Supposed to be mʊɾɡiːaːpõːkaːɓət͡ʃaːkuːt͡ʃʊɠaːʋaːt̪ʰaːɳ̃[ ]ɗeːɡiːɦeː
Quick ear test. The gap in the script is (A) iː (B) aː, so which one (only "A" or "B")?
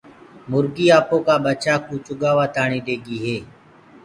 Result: A